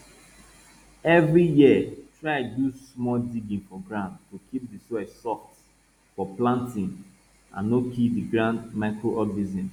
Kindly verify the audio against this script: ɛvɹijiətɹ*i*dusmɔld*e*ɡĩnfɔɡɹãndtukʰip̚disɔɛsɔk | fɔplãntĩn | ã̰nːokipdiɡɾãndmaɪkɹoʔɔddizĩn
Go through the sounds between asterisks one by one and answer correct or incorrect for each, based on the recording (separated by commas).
incorrect, incorrect